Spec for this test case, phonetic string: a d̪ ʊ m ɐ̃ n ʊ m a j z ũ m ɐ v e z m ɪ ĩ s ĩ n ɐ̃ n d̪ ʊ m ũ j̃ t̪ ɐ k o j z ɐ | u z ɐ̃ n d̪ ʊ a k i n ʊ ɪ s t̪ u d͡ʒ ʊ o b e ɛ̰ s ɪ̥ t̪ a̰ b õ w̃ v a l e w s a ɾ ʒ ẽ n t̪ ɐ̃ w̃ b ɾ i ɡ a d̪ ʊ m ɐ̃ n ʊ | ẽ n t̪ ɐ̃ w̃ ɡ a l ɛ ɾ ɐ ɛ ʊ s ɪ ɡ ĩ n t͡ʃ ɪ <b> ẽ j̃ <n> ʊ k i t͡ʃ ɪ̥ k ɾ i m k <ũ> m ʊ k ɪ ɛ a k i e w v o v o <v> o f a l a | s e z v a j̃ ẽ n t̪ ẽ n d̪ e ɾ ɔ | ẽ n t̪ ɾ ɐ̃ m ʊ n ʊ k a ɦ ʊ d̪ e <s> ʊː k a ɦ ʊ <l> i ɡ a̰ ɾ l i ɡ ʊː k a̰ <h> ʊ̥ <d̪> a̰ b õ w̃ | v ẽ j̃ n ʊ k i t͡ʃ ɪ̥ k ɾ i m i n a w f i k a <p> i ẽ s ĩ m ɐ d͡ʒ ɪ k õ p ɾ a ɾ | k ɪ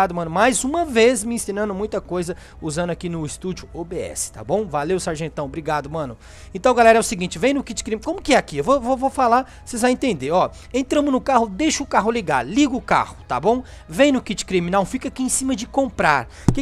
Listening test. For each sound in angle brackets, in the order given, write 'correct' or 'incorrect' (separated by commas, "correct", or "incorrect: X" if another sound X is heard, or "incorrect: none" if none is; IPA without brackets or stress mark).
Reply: incorrect: v, correct, incorrect: õ, correct, incorrect: ʃ, correct, correct, incorrect: t̪, incorrect: k